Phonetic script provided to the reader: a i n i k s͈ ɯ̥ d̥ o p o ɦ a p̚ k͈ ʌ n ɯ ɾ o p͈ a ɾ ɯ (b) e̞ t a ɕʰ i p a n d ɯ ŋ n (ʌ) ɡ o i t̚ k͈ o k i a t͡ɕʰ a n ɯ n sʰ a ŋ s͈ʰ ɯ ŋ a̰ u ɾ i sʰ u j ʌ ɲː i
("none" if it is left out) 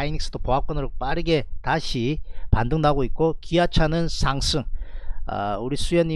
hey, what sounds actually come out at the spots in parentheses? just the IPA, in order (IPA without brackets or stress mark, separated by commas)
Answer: ɡ, a